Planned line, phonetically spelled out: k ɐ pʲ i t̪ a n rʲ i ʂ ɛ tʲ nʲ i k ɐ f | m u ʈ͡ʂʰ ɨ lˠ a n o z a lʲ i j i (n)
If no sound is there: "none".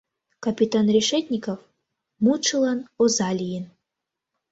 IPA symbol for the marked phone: n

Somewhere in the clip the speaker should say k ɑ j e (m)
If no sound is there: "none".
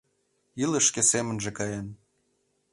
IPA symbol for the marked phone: n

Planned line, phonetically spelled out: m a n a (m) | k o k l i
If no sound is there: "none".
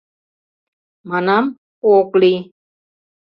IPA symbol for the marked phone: m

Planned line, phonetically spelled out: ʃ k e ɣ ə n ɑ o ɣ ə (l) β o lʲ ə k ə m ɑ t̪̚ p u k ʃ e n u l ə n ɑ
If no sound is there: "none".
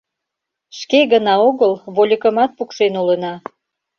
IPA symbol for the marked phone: l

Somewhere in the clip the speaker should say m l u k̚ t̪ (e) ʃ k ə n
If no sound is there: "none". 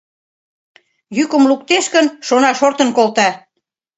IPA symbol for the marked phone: e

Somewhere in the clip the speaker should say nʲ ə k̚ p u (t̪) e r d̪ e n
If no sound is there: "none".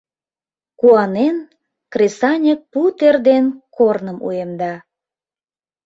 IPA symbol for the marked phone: t̪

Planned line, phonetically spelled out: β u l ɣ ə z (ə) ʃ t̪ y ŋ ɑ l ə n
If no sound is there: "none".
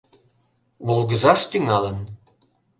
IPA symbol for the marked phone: ɑ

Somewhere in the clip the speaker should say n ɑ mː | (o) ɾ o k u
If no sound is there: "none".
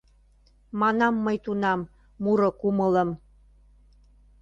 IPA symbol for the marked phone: u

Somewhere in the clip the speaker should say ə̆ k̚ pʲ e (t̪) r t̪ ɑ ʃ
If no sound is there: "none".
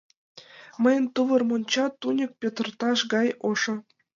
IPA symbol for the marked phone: t̪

